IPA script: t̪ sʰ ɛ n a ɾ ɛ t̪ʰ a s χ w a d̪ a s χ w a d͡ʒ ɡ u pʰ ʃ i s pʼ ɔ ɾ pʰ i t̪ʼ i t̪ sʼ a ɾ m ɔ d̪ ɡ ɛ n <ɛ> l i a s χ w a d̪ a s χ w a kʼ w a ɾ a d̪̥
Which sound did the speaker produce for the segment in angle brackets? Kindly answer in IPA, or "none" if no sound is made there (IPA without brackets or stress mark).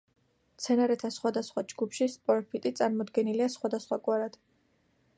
i